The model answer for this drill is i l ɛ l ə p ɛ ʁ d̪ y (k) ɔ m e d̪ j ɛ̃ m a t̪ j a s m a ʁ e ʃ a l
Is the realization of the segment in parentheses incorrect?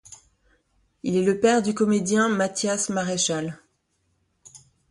no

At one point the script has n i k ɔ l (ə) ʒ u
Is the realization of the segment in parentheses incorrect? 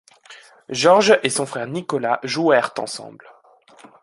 yes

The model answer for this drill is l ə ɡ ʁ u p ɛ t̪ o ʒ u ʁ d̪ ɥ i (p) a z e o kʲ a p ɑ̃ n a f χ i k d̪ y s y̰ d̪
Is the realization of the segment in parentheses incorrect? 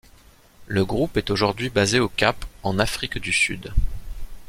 yes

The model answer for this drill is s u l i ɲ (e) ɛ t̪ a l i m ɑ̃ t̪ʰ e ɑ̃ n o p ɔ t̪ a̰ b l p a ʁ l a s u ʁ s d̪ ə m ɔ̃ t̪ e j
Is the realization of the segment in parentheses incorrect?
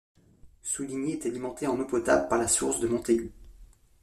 no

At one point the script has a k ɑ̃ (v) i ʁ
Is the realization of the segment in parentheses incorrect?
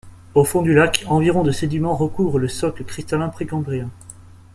no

